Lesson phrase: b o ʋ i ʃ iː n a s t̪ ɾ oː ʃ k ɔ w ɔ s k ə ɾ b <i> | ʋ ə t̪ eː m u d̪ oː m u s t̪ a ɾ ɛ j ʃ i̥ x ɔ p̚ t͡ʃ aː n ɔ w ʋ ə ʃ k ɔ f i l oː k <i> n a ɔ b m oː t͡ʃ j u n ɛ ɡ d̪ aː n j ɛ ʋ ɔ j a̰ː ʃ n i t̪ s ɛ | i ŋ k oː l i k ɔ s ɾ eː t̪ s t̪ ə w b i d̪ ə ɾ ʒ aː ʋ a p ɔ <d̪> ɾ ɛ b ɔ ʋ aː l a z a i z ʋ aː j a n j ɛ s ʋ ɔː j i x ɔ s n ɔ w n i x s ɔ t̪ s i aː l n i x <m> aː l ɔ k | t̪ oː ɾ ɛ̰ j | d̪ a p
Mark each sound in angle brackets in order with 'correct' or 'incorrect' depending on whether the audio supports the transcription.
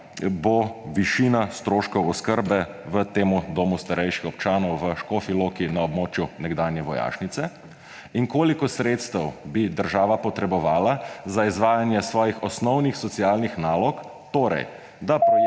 incorrect: ɛ, correct, incorrect: t̪, incorrect: n

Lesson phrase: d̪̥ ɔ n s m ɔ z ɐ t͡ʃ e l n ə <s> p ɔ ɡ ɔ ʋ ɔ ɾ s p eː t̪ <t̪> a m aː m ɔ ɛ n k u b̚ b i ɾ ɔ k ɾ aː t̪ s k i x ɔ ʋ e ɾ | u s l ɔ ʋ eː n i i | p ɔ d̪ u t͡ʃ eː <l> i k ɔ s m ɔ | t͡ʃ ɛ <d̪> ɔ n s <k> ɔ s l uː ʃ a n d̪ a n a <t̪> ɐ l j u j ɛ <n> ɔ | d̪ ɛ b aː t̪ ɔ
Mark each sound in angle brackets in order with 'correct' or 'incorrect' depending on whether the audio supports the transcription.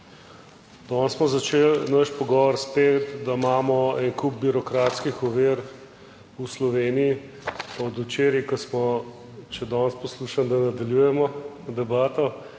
incorrect: ʃ, incorrect: d̪, incorrect: ɾ, correct, incorrect: p, incorrect: d̪, incorrect: m

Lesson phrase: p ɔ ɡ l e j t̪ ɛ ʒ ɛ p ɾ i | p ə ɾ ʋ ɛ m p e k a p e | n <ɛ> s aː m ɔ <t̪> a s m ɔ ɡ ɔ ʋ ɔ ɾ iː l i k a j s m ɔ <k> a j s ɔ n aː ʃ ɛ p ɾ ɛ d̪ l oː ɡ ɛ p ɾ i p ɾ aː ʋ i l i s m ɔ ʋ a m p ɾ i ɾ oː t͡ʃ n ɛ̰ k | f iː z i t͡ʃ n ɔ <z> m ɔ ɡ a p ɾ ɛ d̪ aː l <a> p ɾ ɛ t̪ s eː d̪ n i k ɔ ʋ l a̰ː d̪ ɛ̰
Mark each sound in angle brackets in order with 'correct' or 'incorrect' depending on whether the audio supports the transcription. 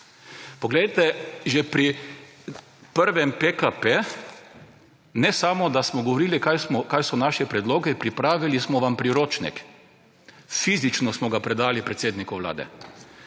correct, incorrect: d̪, correct, incorrect: s, incorrect: i

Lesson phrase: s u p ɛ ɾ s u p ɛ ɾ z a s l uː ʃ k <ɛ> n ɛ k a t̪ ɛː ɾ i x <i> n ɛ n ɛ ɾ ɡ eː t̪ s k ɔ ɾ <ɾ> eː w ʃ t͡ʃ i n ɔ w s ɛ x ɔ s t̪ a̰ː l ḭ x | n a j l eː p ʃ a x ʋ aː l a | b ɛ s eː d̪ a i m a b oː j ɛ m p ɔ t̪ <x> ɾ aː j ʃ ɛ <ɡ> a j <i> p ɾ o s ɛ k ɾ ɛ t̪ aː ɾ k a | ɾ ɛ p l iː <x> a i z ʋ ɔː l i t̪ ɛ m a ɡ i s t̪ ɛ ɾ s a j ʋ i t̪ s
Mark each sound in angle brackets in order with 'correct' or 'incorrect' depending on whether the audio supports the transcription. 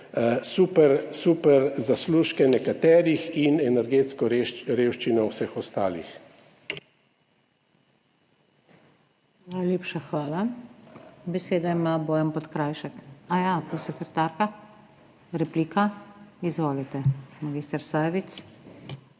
correct, correct, correct, incorrect: k, incorrect: k, incorrect: a, incorrect: k

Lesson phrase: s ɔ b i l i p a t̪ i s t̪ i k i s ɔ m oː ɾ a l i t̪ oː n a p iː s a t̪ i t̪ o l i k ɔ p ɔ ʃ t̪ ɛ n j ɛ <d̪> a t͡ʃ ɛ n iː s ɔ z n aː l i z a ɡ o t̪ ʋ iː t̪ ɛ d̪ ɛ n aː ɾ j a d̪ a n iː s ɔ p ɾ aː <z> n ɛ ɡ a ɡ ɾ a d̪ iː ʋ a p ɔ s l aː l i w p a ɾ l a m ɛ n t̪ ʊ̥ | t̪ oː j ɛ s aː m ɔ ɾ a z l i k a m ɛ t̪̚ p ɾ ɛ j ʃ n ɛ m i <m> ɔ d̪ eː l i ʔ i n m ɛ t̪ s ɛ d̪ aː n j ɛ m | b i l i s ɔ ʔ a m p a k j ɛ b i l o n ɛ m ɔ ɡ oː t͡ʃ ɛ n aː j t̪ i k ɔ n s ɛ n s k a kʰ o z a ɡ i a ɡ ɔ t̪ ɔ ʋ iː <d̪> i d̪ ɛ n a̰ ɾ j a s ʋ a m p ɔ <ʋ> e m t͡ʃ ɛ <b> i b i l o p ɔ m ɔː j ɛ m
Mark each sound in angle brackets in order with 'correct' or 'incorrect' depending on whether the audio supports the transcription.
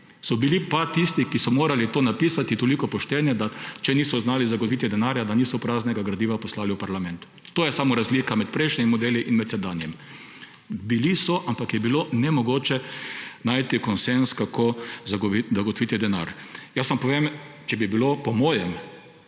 correct, correct, correct, incorrect: t̪, correct, correct

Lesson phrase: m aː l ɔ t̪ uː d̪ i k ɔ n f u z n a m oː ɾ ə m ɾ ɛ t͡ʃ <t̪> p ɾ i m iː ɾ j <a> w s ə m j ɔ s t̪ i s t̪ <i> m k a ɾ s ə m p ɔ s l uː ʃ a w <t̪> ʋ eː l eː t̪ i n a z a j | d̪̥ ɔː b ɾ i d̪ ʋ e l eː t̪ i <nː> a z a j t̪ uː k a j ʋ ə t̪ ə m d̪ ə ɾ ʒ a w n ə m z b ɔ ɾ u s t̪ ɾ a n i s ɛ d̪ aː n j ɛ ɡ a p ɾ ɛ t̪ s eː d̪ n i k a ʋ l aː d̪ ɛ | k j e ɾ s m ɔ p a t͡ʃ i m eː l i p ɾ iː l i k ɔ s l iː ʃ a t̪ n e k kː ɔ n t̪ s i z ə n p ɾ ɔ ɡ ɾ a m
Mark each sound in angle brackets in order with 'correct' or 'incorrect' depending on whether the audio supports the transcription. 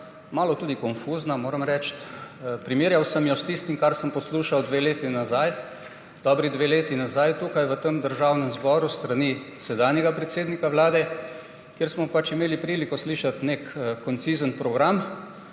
correct, correct, correct, incorrect: d̪, incorrect: n

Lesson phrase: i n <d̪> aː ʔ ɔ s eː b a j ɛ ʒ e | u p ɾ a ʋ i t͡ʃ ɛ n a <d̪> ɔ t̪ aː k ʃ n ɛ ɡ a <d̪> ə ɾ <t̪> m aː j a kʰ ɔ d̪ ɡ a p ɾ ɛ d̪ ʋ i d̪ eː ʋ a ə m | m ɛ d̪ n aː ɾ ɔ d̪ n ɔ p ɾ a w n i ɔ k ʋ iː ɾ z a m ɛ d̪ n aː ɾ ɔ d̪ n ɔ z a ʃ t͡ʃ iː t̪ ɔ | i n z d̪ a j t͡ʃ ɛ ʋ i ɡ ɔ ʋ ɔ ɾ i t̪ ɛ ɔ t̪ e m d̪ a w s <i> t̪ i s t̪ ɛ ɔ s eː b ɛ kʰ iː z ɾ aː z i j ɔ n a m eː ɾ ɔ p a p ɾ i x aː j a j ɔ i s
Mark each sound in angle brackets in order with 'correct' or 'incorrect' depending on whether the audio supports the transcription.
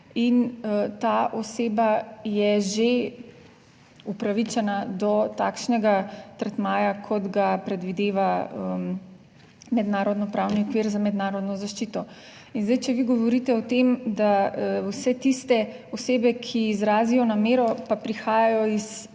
incorrect: t̪, correct, incorrect: t̪, correct, incorrect: ɛ

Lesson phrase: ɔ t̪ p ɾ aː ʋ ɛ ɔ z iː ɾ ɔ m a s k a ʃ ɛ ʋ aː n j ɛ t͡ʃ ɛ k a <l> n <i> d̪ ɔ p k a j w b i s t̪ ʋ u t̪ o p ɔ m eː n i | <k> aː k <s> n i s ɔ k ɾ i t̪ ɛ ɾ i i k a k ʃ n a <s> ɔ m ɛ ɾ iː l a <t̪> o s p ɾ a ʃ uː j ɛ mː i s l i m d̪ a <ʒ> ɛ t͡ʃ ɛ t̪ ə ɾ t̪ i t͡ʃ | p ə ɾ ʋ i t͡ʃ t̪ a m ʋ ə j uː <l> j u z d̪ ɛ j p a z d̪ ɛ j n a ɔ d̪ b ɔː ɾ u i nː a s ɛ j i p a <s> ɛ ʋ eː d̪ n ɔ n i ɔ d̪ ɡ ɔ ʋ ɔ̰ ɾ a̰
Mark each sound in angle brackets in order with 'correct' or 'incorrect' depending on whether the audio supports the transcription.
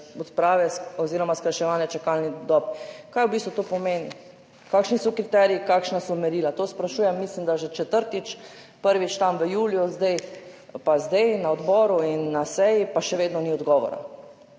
correct, correct, correct, incorrect: ʃ, correct, correct, correct, correct, incorrect: ʃ

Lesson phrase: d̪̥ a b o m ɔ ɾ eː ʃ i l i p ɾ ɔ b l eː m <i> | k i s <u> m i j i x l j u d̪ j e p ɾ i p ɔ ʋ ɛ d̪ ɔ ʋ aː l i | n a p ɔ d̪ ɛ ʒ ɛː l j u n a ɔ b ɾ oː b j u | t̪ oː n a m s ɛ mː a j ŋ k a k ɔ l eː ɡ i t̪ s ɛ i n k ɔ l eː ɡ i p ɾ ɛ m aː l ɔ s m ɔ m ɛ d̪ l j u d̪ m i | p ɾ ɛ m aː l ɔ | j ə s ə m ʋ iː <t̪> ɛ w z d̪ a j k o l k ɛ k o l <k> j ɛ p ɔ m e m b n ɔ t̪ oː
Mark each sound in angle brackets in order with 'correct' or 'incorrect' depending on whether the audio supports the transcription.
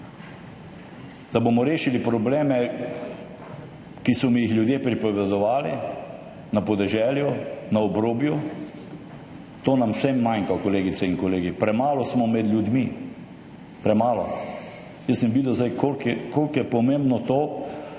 incorrect: ɛ, incorrect: ɔ, incorrect: d̪, correct

